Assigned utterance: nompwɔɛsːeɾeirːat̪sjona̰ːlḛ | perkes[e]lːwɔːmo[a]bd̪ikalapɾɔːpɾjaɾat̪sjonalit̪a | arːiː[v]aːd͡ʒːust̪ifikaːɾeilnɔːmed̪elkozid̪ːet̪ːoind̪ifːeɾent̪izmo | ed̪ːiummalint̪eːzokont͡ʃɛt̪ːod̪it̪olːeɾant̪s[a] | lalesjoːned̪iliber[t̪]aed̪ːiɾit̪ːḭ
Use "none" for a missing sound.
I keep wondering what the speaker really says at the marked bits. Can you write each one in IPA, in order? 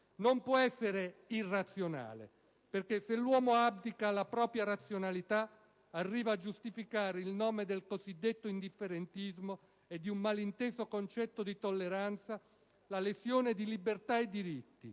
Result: e, a, v, a, t̪

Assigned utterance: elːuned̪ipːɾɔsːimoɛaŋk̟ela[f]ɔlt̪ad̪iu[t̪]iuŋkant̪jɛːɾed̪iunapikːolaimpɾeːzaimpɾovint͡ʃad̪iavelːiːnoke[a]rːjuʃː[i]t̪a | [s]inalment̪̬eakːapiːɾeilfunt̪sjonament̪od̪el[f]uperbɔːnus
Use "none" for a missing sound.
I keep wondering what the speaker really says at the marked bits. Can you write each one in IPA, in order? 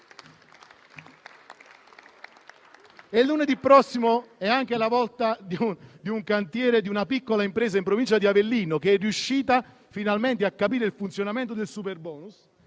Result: v, d̪, ɛ, iː, f, s

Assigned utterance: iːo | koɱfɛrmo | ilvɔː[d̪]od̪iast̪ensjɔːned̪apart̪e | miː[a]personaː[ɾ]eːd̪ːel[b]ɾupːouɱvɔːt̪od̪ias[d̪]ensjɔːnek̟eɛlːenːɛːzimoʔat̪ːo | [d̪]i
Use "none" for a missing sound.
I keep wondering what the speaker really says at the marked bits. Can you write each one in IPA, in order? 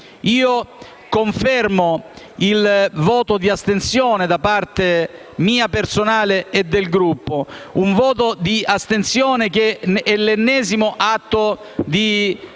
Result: t̪, a, l, ɡ, t̪, d̪

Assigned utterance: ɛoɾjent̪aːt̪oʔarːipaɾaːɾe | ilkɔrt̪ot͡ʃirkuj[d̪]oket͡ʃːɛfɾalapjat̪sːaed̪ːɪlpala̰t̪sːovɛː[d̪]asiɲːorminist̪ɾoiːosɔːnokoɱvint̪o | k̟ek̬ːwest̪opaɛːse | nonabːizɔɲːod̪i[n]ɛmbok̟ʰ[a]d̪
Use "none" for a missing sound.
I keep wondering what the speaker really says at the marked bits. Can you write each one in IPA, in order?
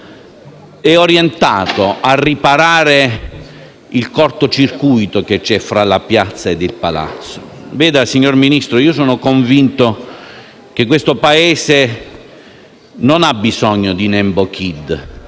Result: t̪, d̪, n, i

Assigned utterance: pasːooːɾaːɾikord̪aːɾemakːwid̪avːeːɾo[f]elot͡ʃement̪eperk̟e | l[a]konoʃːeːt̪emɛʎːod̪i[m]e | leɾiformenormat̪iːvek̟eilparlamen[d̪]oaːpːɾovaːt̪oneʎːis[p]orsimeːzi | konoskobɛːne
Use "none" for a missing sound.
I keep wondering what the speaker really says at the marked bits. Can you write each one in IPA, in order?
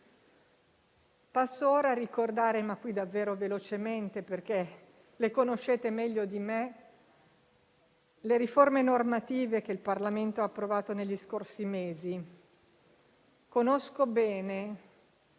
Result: v, e, m, t̪, k

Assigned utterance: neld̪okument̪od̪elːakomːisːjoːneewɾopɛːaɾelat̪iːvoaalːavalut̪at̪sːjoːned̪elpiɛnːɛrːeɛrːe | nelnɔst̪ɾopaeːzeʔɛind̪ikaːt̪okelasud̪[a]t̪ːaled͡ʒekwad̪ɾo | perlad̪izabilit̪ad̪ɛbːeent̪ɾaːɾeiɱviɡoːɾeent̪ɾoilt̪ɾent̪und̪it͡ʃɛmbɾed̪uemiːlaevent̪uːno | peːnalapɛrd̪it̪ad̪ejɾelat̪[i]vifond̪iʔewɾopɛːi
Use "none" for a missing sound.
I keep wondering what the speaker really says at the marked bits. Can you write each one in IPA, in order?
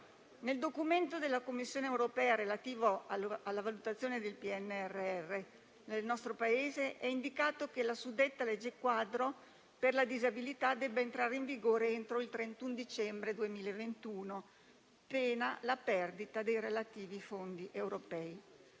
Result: e, iː

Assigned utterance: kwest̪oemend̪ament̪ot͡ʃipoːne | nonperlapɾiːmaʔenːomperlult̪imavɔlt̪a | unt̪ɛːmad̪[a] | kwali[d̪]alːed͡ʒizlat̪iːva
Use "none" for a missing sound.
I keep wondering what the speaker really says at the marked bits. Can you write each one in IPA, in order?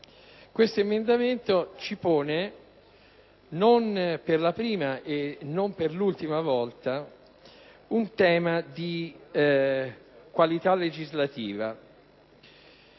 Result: i, t̪

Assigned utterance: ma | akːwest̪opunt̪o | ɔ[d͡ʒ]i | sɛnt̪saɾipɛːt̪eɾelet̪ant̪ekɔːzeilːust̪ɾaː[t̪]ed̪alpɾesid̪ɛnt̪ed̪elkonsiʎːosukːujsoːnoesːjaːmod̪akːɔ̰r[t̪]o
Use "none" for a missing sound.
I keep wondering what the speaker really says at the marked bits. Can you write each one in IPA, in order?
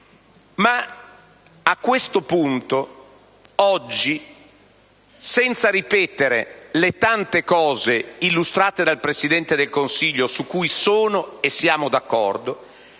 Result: d͡ʒː, t̪, d̪

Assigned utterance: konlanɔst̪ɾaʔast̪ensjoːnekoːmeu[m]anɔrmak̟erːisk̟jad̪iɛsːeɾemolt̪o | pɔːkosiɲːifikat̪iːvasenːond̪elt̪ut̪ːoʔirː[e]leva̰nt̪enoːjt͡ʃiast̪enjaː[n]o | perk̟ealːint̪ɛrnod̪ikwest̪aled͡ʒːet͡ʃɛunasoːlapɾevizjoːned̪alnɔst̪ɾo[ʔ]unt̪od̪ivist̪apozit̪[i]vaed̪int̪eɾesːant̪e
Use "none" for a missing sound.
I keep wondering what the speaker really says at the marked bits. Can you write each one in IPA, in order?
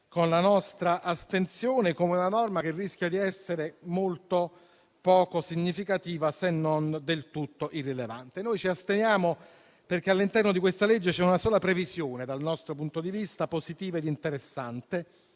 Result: n, i, m, p, iː

